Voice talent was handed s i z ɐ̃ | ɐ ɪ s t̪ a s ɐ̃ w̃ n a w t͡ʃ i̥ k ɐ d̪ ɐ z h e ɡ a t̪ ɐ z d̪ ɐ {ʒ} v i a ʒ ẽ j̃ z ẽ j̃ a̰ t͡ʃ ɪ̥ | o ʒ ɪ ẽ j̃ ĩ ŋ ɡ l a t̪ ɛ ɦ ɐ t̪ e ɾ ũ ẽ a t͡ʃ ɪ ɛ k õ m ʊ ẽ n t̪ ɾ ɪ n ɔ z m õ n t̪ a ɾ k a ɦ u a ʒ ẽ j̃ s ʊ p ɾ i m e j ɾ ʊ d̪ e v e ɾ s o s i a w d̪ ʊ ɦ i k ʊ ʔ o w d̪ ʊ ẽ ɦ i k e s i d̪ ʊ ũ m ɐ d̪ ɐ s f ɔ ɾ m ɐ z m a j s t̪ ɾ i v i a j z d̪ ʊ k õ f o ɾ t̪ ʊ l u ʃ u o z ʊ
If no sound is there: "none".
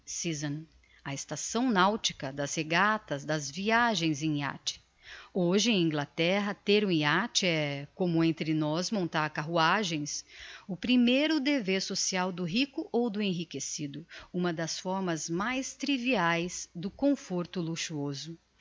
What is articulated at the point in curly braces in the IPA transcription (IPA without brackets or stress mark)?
z